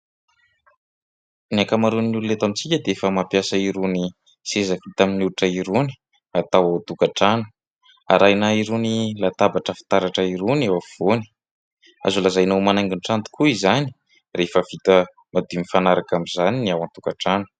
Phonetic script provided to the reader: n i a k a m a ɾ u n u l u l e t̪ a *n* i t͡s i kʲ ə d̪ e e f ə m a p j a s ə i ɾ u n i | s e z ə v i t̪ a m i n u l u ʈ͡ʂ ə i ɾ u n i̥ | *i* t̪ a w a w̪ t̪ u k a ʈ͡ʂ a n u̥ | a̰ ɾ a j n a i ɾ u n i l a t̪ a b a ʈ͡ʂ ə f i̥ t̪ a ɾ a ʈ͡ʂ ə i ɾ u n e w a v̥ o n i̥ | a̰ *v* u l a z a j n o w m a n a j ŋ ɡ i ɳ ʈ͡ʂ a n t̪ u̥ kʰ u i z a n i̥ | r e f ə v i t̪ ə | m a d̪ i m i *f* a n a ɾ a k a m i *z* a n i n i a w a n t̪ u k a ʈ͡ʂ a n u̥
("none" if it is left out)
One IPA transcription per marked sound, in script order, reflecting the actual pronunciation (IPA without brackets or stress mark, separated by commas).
m, a, z, f, z